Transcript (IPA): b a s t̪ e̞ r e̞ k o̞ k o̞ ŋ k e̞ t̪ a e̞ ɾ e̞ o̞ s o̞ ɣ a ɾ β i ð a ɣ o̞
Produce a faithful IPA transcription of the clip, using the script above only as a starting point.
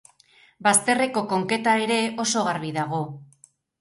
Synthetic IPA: b a s t̪ e̞ r e̞ k o̞ k o̞ ŋ k e̞ t̪ a e̞ ɾ e̞ o̞ s o̞ ɣ a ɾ β i ð a ɣ o̞